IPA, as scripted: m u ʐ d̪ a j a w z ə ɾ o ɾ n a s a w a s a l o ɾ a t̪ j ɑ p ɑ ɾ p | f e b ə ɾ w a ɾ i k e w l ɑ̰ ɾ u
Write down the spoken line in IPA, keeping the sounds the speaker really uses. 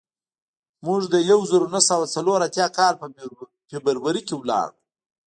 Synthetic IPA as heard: m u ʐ d̪ ə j a w z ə ɾ o n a s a w a t͡s a l o ɾ a t̪ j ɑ k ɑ ɾ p | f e b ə ɾ w a ɾ i k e w l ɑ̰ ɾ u